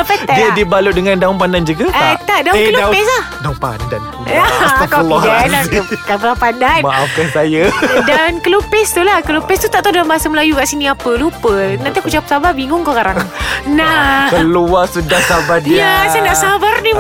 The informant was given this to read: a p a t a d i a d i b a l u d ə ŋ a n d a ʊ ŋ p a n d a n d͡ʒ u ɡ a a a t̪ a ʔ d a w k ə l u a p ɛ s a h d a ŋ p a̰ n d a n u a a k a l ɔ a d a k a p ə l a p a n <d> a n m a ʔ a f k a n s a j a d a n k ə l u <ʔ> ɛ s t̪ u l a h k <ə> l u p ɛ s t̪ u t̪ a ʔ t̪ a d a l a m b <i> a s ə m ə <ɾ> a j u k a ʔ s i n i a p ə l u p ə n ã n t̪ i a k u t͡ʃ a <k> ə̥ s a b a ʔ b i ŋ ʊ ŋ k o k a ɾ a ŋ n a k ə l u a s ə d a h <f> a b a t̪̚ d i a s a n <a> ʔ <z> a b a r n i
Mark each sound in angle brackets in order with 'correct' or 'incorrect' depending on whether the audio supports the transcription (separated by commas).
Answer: correct, incorrect, correct, incorrect, incorrect, incorrect, incorrect, correct, incorrect